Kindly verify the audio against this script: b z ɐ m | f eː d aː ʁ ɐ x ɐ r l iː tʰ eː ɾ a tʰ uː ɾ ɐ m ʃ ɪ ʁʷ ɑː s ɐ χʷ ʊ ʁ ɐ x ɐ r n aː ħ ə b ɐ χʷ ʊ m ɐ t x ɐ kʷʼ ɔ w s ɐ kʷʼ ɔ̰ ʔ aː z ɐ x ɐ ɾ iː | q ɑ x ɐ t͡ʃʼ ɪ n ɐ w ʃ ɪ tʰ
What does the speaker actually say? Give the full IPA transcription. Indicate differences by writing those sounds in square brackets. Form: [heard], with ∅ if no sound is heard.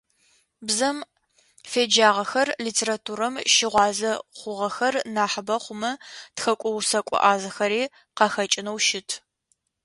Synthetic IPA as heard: b z ɐ m | f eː [d͡ʒ] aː ʁ ɐ x ɐ r l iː tʰ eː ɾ a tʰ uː ɾ ɐ m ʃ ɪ ʁʷ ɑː [z] ɐ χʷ ʊ ʁ ɐ x ɐ r n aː ħ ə b ɐ χʷ ʊ m ɐ t x ɐ kʷʼ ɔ w s ɐ kʷʼ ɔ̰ ʔ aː z ɐ x ɐ ɾ iː | q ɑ x ɐ t͡ʃʼ ɪ n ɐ w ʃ ɪ tʰ